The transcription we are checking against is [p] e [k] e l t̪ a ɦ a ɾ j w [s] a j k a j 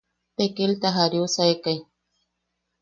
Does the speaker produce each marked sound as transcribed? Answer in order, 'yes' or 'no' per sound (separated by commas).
yes, yes, yes